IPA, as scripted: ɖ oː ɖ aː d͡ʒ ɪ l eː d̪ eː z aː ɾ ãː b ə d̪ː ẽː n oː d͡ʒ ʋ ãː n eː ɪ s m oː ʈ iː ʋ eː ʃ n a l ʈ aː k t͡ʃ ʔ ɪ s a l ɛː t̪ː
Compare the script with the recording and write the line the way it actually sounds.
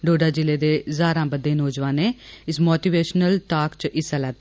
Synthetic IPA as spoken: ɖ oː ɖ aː d͡ʒ ɪ l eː d̪ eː z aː ɾ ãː b ə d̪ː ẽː n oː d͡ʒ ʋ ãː n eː ɪ s m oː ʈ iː ʋ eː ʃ n ə l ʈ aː k t͡ʃ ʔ ɪ s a l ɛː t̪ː